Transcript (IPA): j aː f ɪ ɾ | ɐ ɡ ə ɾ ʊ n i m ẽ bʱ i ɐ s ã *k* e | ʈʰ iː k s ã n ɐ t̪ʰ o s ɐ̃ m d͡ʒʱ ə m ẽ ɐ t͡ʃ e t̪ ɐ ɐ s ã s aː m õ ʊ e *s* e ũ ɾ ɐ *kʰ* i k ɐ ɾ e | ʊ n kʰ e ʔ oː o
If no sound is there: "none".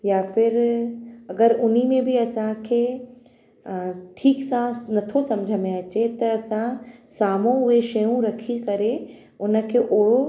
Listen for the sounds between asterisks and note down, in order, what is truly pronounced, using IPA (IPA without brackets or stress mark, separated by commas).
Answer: kʰ, ʃ, kʰ